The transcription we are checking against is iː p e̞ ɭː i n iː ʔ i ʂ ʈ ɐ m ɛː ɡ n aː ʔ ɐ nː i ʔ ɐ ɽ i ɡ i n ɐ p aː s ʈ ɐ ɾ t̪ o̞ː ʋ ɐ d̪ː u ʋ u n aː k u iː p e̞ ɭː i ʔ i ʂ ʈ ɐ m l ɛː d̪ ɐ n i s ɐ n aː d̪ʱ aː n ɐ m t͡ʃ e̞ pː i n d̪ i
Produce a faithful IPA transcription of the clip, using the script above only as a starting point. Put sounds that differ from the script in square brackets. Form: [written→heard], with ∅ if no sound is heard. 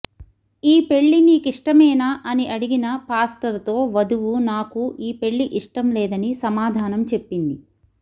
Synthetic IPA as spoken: iː p e̞ ɭː i n iː [ʔ→k] i ʂ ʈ ɐ m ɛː [ɡ→∅] n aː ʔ ɐ [nː→n] i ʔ ɐ ɽ i ɡ i n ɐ p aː s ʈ ɐ ɾ t̪ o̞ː ʋ ɐ [d̪ː→d̪] u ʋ u n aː k u iː p e̞ ɭː i ʔ i ʂ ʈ ɐ m l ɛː d̪ ɐ n i s ɐ [n→m] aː d̪ʱ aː n ɐ m t͡ʃ e̞ pː i n d̪ i

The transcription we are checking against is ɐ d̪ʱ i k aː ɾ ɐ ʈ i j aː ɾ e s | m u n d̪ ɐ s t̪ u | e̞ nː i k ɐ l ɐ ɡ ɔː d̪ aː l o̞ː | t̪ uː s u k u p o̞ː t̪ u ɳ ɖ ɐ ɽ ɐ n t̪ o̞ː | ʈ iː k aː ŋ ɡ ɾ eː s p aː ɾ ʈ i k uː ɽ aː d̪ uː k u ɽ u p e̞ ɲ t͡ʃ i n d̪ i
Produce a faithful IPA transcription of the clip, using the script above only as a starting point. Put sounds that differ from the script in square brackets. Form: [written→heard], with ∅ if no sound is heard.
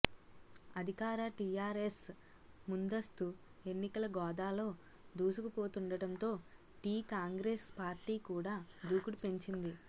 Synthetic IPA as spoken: ɐ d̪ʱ i k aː ɾ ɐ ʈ i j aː ɾ e s | m u n d̪ ɐ s t̪ u | e̞ nː i k ɐ l ɐ ɡ ɔː d̪ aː l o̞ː | [t̪→d̪] uː s u k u p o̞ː t̪ u ɳ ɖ ɐ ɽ ɐ n t̪ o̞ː | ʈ iː k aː ŋ ɡ ɾ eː s p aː ɾ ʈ [i→iː] k uː ɽ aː d̪ uː k u ɽ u p e̞ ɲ t͡ʃ i n d̪ i

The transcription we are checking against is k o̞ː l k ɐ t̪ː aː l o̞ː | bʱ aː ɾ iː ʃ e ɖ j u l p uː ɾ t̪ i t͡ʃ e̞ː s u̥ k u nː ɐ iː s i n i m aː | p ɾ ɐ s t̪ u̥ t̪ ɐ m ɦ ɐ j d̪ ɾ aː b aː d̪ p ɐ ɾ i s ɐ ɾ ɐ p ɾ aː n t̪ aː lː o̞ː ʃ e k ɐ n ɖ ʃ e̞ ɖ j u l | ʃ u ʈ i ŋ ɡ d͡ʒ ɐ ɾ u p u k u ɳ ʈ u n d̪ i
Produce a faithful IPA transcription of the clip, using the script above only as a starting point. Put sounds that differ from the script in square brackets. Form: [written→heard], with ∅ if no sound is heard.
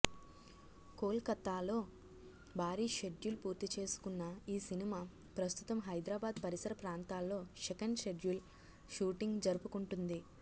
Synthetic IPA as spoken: k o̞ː l k ɐ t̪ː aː l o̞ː | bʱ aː ɾ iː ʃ e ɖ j u l p uː ɾ t̪ i t͡ʃ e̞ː s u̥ k u nː ɐ iː s i n i m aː | p ɾ ɐ s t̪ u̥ t̪ ɐ m ɦ ɐ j d̪ ɾ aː b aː d̪ p ɐ ɾ i s ɐ ɾ ɐ p ɾ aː n t̪ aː lː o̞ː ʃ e k ɐ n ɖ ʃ e̞ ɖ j u l | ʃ [u→uː] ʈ i ŋ ɡ d͡ʒ ɐ ɾ u p u k u ɳ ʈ u n d̪ i

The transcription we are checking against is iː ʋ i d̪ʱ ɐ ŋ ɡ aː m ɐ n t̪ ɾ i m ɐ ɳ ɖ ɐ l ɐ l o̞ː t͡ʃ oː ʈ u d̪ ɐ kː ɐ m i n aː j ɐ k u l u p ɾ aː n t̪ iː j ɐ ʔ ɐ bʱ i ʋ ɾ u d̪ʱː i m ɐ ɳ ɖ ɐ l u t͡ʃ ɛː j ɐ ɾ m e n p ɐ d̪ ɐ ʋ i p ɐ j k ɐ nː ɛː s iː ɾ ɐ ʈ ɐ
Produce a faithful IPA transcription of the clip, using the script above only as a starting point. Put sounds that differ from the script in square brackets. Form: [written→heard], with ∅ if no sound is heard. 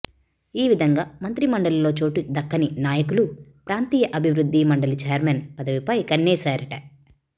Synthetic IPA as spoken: iː ʋ i d̪ʱ ɐ ŋ ɡ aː m ɐ n t̪ ɾ i m ɐ ɳ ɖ ɐ l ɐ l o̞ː t͡ʃ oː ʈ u d̪ ɐ kː ɐ [m→n] i n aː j ɐ k u l u p ɾ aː n t̪ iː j ɐ ʔ ɐ bʱ i ʋ ɾ u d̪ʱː i m ɐ ɳ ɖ ɐ l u t͡ʃ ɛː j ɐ ɾ m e n p ɐ d̪ ɐ ʋ i p ɐ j k ɐ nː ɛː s [iː→aː] ɾ ɐ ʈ ɐ

